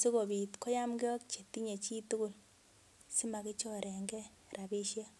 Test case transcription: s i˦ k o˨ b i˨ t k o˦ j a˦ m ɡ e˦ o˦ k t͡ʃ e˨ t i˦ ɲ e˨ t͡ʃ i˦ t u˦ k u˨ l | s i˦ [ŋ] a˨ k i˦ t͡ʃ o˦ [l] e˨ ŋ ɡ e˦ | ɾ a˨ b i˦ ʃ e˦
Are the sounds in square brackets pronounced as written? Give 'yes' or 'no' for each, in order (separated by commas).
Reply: no, no